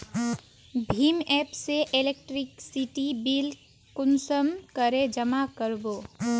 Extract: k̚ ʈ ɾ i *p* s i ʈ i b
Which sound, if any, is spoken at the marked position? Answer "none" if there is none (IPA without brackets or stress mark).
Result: k